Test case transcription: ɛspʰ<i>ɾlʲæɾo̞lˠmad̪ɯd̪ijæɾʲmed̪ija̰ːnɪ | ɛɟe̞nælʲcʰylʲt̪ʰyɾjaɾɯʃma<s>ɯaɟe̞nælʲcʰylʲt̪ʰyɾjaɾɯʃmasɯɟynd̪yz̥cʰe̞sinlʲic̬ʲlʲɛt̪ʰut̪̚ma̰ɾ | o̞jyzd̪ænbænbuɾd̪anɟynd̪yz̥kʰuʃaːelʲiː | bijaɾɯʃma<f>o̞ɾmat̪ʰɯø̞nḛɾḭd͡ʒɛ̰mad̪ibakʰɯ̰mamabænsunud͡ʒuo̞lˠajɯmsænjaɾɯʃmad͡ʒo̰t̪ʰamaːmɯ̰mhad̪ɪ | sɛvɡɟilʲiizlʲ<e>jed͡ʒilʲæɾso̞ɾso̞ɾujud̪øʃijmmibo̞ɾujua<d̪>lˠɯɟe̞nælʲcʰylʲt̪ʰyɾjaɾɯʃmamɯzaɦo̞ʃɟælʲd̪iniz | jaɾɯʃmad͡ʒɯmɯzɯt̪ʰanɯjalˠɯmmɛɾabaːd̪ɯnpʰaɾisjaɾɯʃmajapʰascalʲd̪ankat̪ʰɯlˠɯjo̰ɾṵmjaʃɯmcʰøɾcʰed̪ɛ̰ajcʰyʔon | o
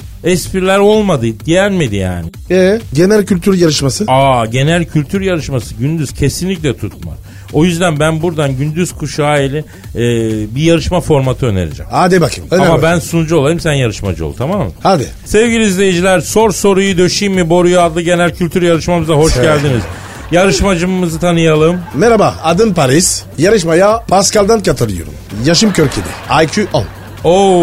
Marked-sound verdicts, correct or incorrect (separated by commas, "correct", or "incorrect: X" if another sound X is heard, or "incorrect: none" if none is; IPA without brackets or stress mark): correct, correct, correct, correct, correct